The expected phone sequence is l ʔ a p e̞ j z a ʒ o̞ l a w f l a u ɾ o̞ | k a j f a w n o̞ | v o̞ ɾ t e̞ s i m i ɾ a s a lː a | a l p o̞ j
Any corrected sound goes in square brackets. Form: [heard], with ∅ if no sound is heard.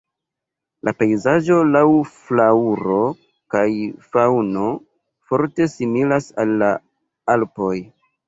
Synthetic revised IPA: l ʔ a p e̞ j z a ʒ o̞ l a w f l a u ɾ o̞ | k a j f a w n o̞ | [f] o̞ ɾ t e̞ s i m i [l] a s a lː a | a l p o̞ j